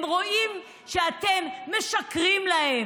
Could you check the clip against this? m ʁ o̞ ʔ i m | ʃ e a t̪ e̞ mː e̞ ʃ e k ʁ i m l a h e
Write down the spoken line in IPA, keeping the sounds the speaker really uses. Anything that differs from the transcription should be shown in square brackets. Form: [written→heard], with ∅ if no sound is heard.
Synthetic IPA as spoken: m ʁ o̞ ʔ i m | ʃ e a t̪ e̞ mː e̞ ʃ [e→a] k ʁ i m l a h e